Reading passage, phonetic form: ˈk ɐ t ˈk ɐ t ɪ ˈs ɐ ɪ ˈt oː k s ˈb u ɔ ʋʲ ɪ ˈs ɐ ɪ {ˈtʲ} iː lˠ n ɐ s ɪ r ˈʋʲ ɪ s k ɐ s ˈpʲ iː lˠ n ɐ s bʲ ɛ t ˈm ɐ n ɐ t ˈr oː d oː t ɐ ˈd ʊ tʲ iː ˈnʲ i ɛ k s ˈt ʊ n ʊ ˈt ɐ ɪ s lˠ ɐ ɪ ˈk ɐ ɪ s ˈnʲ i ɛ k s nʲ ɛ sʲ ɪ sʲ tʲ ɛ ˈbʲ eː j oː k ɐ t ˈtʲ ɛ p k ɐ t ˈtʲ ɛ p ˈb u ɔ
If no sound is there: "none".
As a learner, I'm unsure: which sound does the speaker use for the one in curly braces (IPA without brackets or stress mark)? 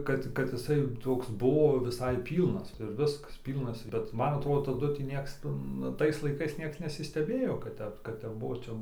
pʲ